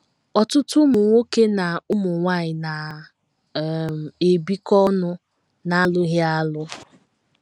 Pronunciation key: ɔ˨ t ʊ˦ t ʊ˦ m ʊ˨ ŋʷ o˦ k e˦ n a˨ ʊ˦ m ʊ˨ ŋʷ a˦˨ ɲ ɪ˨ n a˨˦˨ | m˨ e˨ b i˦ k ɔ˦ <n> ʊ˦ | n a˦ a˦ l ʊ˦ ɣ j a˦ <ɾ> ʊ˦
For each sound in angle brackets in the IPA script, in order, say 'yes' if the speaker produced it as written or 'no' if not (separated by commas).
yes, no